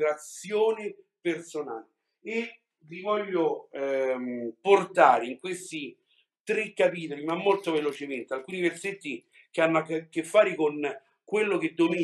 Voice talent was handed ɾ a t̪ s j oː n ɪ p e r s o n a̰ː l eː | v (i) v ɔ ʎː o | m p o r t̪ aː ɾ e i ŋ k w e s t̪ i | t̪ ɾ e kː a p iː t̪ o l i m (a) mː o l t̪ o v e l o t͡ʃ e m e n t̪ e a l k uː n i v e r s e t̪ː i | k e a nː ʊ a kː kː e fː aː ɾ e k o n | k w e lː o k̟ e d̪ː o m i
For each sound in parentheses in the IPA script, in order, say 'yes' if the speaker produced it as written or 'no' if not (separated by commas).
yes, yes